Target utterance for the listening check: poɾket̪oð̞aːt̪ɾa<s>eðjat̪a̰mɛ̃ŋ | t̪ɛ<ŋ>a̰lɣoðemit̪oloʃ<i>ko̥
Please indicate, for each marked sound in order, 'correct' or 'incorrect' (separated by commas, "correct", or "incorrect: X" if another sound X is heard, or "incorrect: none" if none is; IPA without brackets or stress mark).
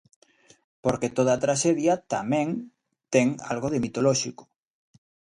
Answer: incorrect: ʃ, correct, correct